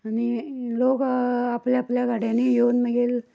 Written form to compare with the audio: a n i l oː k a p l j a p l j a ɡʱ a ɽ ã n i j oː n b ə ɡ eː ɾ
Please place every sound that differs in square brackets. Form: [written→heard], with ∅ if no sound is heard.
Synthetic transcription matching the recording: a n i l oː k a p l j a p l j a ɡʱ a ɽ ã n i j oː n [b→m] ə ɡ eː [ɾ→l]